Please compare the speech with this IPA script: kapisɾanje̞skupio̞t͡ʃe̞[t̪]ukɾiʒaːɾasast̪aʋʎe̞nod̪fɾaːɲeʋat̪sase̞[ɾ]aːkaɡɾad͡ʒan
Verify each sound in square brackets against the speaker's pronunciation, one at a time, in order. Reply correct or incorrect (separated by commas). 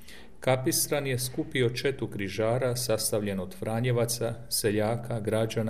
correct, incorrect